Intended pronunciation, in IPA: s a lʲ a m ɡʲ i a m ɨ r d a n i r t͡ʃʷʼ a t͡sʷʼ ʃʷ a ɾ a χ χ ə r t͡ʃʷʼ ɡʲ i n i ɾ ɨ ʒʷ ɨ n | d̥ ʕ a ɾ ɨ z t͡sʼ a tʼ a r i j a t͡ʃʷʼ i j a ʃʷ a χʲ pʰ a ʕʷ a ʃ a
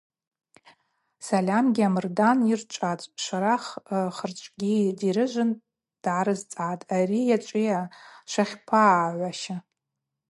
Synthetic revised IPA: s a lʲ a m ɡʲ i a m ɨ r d a n i r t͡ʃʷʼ a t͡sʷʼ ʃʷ a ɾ a χ χ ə r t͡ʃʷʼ ɡʲ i d i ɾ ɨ ʒʷ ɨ n | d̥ ʕ a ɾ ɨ z t͡sʼ a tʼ a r i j a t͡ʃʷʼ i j a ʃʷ a χʲ pʰ a ʕʷ a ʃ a